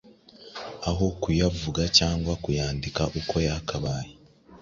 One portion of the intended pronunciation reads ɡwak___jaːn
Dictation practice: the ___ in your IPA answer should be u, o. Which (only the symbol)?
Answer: u